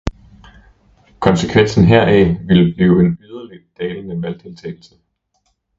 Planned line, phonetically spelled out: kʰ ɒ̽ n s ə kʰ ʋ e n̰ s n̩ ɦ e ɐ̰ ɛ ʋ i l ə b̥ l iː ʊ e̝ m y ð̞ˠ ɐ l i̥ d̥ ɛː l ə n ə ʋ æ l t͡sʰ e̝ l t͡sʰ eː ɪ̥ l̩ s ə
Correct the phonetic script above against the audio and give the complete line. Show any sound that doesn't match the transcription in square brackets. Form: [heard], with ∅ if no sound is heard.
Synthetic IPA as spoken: kʰ ɒ̽ n s ə kʰ ʋ e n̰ s n̩ ɦ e ɐ̰ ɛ ʋ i l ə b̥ l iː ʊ e̝ [n] y ð̞ˠ ɐ l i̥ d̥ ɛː l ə n ə ʋ æ l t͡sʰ e̝ l t͡sʰ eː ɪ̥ l̩ s ə